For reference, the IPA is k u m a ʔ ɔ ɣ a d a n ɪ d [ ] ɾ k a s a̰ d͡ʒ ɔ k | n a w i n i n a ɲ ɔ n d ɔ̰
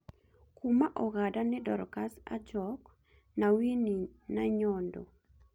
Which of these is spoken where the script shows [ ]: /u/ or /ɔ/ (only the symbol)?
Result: ɔ